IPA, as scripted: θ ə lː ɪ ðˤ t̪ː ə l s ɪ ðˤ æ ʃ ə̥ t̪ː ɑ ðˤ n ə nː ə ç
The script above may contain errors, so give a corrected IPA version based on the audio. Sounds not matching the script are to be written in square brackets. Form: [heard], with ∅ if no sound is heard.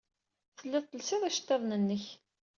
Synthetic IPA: θ ə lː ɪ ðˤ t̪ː ə l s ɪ ðˤ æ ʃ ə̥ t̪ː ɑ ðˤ n ə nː ə ç